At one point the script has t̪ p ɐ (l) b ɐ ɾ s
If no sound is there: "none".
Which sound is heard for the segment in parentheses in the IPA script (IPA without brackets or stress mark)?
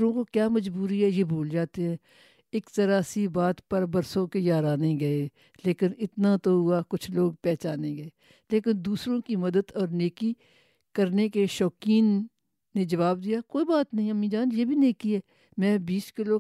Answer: ɾ